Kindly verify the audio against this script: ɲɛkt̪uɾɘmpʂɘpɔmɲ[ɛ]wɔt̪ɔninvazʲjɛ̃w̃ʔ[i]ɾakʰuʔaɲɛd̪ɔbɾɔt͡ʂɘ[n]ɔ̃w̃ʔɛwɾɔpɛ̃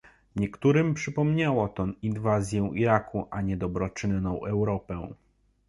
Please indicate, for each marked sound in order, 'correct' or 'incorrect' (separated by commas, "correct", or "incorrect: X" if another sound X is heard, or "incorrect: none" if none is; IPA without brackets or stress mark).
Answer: incorrect: a, correct, incorrect: nː